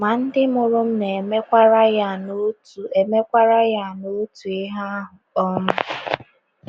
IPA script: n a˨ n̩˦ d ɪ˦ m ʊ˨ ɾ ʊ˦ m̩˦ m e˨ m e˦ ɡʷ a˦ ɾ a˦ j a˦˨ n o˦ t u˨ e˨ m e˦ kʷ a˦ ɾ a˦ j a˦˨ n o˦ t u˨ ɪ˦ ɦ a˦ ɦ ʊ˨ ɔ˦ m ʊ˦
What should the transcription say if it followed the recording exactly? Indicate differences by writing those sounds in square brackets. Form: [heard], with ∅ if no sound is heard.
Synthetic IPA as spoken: [m] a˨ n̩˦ d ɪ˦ m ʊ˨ ɾ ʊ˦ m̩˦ [n] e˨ m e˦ [kʷ] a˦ ɾ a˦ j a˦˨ n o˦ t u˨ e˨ m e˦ kʷ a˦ ɾ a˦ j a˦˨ n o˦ t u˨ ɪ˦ ɦ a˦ ɦ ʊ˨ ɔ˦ m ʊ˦